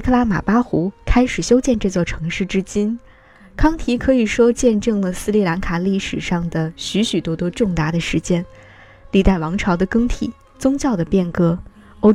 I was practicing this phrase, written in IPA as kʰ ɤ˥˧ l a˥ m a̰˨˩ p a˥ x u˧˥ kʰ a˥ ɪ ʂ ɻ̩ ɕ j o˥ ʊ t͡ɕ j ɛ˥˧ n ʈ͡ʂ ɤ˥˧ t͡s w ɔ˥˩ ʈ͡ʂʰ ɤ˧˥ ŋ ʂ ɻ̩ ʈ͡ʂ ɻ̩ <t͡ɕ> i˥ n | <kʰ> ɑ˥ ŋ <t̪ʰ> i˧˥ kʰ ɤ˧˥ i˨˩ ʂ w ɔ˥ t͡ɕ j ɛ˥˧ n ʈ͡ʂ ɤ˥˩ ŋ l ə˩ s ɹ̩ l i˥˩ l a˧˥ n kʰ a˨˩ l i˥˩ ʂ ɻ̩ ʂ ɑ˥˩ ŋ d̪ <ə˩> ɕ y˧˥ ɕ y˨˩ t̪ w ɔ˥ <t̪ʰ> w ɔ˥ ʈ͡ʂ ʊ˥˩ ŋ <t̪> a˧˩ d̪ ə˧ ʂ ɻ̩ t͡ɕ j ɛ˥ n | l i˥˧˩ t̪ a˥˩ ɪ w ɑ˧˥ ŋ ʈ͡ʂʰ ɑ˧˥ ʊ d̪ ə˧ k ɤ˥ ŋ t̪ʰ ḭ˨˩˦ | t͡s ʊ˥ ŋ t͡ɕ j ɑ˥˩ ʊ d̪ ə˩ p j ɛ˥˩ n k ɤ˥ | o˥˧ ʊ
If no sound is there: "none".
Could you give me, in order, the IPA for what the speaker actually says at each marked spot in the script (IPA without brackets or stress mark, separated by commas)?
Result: t͡ɕ, kʰ, t̪ʰ, ə˩, t̪, t̪